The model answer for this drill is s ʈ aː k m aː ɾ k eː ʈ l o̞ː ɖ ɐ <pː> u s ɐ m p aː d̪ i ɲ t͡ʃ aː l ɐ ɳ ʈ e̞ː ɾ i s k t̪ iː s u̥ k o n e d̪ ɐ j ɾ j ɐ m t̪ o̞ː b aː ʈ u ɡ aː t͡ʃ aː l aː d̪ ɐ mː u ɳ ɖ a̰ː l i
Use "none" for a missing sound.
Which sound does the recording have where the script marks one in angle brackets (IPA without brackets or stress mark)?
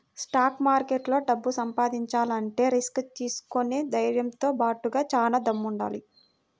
bː